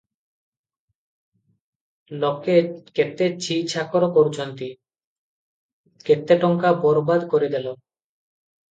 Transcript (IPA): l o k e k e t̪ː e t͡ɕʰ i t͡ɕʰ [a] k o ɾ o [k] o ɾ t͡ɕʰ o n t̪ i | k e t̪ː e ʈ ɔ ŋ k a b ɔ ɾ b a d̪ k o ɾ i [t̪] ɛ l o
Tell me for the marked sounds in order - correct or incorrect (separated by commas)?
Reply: correct, correct, incorrect